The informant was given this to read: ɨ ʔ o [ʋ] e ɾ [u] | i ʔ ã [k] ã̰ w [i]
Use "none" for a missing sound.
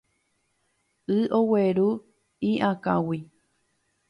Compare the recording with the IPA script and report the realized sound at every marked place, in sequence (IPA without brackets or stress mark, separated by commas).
w, u, k, i